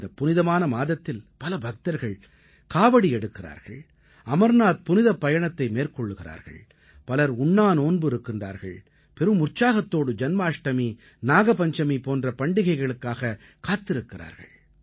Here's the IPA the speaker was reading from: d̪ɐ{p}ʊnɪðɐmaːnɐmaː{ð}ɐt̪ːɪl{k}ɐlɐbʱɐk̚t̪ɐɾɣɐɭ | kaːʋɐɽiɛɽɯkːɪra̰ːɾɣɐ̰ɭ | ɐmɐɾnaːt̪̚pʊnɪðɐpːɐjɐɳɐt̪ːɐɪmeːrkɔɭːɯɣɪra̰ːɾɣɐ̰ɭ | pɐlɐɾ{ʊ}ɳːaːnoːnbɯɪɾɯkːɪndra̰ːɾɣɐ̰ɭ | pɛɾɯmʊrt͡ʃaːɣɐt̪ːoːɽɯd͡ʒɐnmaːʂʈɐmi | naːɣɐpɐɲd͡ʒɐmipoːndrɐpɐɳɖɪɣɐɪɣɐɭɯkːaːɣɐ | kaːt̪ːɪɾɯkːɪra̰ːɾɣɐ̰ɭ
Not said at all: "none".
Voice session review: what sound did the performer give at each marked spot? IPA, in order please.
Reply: p, ð, p, ʊ

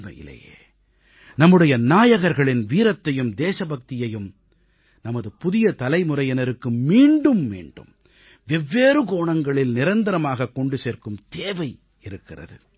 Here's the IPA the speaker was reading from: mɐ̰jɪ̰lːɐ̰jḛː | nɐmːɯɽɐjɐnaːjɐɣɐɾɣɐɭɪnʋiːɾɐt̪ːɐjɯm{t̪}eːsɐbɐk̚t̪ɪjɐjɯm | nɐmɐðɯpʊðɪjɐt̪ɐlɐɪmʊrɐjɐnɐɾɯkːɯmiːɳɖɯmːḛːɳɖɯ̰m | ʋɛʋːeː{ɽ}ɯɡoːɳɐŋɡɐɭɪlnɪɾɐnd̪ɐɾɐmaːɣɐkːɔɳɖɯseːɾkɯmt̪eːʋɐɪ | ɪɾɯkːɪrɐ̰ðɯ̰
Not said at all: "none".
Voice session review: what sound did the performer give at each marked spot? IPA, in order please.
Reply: d̪, ɾ

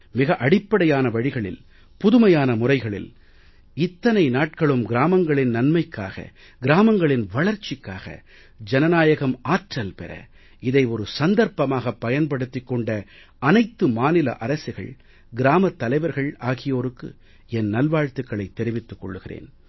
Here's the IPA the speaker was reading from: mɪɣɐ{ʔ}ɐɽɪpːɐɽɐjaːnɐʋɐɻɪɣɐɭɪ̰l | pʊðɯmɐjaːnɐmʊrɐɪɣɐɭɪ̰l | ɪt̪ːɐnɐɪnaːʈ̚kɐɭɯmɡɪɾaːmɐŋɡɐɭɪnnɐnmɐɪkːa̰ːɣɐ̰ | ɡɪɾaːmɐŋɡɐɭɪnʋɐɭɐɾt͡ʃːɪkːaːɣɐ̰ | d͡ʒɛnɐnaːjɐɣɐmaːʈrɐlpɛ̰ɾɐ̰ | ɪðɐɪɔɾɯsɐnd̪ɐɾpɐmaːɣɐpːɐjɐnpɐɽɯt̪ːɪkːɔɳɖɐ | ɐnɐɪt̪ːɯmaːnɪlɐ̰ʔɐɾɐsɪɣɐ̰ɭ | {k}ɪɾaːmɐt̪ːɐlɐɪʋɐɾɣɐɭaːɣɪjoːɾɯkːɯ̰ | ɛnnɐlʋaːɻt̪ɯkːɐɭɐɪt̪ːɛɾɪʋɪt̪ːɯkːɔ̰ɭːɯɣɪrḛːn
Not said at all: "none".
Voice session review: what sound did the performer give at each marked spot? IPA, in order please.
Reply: ʔ, ɡ

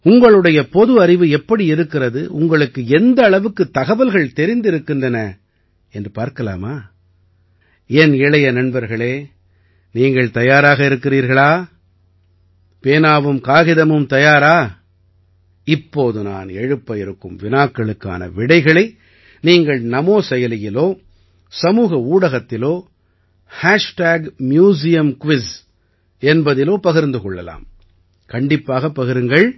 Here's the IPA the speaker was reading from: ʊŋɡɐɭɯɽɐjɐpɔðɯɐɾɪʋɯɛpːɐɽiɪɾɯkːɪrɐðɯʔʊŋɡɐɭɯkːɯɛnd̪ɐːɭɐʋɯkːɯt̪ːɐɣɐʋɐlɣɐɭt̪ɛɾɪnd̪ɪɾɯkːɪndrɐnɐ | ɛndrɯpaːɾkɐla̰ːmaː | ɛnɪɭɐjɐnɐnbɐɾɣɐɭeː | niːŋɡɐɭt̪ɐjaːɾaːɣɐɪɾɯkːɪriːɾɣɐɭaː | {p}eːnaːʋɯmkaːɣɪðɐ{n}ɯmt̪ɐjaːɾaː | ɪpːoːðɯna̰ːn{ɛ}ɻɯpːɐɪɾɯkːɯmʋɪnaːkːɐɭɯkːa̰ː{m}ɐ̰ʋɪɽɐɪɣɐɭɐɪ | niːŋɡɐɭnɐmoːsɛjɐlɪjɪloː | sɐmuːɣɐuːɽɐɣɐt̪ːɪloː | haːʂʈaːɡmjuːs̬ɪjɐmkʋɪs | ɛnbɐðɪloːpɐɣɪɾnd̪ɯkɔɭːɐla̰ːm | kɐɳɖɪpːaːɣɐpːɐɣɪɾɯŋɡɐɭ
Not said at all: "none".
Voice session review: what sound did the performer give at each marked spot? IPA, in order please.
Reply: p, m, ɛ, n

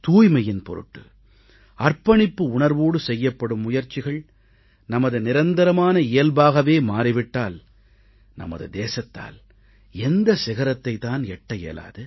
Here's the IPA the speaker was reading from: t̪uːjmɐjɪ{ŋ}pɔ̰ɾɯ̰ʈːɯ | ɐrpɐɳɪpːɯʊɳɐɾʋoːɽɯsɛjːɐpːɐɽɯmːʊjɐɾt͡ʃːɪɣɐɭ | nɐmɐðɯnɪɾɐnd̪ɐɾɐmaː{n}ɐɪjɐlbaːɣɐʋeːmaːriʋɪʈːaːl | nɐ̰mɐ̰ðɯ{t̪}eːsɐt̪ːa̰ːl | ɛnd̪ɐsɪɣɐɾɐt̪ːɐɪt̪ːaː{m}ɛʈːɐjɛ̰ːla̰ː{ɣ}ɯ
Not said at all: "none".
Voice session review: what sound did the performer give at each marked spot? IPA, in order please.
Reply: n, n, d̪, n, ð

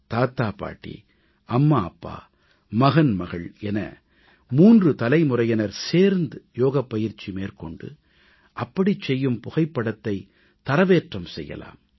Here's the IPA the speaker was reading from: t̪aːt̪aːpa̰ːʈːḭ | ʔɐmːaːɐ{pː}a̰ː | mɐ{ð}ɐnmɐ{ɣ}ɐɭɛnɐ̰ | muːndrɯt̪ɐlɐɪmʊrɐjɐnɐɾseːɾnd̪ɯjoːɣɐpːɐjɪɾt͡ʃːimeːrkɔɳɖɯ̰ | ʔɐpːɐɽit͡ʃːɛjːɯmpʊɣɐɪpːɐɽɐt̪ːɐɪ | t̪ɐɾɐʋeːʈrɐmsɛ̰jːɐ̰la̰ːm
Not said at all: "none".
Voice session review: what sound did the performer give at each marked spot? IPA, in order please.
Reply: pː, ɣ, ɣ

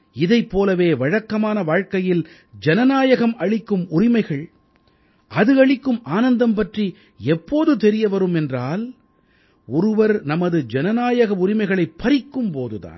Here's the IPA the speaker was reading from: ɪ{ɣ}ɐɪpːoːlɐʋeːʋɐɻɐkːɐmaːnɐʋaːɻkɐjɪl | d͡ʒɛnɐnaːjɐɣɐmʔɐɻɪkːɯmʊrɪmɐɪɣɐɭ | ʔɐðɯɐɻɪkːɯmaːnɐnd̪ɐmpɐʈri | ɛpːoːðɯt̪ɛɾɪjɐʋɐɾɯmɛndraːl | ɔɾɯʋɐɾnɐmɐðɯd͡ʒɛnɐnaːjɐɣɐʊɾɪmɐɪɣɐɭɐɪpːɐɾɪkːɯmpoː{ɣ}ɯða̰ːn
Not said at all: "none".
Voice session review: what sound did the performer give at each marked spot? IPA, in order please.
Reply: ð, ð

